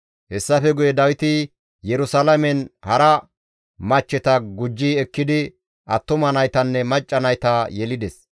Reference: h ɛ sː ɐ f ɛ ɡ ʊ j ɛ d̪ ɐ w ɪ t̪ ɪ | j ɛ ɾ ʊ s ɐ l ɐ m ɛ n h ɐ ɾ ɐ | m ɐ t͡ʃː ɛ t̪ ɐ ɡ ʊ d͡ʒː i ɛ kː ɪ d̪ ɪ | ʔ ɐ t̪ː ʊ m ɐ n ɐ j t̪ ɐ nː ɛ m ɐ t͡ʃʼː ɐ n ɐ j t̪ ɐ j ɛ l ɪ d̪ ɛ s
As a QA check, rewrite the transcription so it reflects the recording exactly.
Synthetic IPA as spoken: h ɛ sː ɐ f ɛ ɡ ʊ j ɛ d̪ ɐ w ɪ t̪ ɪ | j ɛ ɾ ʊ s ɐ l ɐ m ɛ n h ɐ ɾ ɐ | m ɐ t͡ʃː ɛ t̪ ɐ ɡ ʊ d͡ʒː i ɛ kː ɪ d̪ ɪ | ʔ ɐ t̪ː ʊ m ɐ n ɐ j t̪ ɐ nː ɛ m ɐ t͡ʃʼː ɐ n ɐ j t̪ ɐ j ɛ l ɪ d̪ ɛ s